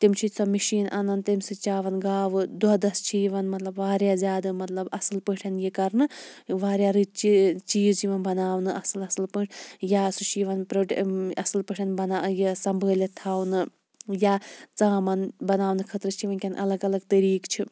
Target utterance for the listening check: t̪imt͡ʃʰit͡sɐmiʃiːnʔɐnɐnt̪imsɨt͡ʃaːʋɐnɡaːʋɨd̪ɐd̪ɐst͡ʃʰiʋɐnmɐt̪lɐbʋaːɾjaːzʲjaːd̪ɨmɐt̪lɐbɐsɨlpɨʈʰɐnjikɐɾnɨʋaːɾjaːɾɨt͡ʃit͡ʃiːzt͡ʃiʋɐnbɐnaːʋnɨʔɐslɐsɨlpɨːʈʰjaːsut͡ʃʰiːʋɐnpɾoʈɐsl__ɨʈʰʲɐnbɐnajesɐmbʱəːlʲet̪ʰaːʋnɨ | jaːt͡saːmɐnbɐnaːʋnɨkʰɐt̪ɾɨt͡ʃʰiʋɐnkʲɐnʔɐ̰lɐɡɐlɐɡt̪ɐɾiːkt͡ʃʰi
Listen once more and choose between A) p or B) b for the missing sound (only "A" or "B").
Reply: A